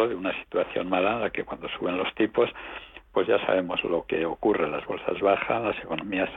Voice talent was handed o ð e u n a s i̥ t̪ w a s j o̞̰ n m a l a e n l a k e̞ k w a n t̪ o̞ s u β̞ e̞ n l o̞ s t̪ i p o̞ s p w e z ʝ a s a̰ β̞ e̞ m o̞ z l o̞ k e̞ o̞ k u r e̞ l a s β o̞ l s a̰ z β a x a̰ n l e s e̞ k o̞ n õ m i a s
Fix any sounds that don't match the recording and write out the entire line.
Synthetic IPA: o ð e u n a s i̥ t̪ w a θ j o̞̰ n m a l a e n l a k e̞ k w a n d̪ o̞ s u β̞ e̞ n l o̞ s t̪ i p o̞ s p w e z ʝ a s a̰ β̞ e̞ m o̞ z l o̞ k e̞ o̞ k u r e̞ l a z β o̞ l s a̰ z β a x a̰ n l a s e̞ k o̞ n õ m i a s